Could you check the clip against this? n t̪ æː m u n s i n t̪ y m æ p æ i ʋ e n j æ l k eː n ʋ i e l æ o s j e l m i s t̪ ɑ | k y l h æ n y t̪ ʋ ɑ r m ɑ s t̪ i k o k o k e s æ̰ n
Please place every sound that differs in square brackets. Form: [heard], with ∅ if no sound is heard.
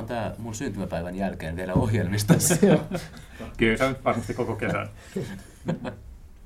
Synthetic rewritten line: n t̪ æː m u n s [y] n t̪ y m æ p æ i ʋ [æ] n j æ l k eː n ʋ i e l æ o [h] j e l m i s t̪ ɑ | k y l [s] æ n y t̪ ʋ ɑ r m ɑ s t̪ i k o k o k e s æ̰ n